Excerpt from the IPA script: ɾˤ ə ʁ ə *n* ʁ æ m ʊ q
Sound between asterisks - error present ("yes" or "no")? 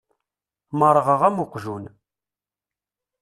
yes